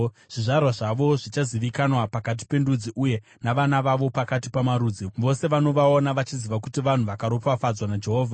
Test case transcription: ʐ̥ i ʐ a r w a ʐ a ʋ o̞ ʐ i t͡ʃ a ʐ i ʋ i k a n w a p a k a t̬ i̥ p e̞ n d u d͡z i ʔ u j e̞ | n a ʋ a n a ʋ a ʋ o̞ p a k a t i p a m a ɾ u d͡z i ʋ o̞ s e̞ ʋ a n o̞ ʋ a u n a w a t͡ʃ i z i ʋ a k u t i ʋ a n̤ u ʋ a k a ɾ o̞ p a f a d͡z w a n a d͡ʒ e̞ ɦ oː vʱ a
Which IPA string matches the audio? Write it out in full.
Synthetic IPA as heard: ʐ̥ i ʐ a r w a ʐ a ʋ o̞ ʐ i t͡ʃ a z i ʋ i k a n w a p a k a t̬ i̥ p e̞ n d u d͡z i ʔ u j e̞ | n a ʋ a n a ʋ a ʋ o̞ p a k a t i p a m a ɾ u d͡z i ʋ o̞ s e̞ ʋ a n o̞ ʋ a o n a ʋ a t͡ʃ i z i ʋ a k u t i ʋ a n̤ u ʋ a k a ɾ o̞ p a f a d͡z w a n a d͡ʒ e̞ ɦ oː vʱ a